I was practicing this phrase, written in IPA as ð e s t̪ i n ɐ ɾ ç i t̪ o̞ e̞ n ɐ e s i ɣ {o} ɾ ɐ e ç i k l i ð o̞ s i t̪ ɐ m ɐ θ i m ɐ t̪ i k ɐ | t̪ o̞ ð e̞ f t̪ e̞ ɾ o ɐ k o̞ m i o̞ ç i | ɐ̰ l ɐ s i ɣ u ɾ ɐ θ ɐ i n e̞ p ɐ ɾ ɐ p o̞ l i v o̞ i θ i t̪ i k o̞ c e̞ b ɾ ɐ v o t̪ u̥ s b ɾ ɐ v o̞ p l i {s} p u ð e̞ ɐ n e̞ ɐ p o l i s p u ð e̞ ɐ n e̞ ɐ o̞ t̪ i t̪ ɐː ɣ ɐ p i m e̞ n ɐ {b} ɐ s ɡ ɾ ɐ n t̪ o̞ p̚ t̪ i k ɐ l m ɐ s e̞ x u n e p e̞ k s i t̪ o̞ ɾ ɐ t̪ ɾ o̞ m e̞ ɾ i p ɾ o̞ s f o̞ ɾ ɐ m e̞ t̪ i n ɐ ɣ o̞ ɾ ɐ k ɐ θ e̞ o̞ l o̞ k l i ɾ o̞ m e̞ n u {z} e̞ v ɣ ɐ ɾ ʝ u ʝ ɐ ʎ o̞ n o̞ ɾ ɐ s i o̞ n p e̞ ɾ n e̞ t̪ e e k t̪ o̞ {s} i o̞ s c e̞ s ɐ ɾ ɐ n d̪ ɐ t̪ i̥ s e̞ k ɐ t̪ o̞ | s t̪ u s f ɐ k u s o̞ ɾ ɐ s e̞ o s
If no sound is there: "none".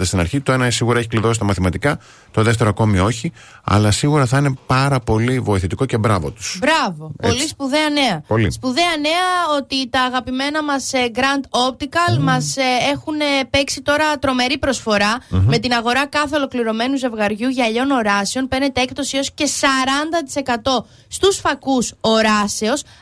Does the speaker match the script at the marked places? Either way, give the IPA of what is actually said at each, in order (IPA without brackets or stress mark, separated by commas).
u, s, m, z, s